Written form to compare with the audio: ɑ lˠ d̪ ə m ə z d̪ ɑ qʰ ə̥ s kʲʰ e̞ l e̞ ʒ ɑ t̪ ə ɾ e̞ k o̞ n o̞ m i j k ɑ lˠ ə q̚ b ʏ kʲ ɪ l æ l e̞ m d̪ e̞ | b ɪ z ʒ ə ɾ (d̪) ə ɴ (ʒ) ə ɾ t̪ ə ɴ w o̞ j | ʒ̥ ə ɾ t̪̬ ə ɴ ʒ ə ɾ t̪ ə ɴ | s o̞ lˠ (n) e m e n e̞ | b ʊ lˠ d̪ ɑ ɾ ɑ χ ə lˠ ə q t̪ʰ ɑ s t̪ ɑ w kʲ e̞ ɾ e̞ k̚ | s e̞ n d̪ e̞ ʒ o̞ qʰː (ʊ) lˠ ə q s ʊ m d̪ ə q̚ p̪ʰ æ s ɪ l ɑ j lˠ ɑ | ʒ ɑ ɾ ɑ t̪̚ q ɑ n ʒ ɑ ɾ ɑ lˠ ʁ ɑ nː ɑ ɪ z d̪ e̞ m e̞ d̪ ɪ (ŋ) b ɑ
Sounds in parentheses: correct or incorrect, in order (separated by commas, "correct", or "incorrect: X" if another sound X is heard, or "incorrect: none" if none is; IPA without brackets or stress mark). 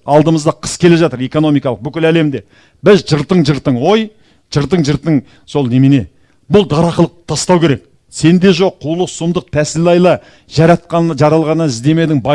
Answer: incorrect: t̪, correct, correct, incorrect: u, correct